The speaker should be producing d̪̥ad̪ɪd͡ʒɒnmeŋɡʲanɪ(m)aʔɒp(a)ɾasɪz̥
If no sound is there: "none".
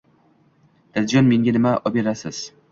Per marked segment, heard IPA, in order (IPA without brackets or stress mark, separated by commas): m, e